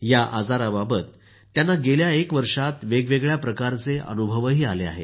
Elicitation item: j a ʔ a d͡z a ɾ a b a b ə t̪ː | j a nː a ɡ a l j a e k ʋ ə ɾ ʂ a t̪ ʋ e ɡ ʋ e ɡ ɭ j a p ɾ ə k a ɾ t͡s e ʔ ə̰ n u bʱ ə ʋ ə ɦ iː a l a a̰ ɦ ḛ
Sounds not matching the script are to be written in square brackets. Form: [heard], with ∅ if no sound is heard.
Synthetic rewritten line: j a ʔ a d͡z a ɾ a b a b ə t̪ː | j a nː a ɡ [e] l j a e k ʋ ə ɾ ʂ a t̪ ʋ e ɡ ʋ e ɡ ɭ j a p ɾ ə k a ɾ t͡s e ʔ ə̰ n u bʱ ə ʋ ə ɦ iː a l [e] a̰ ɦ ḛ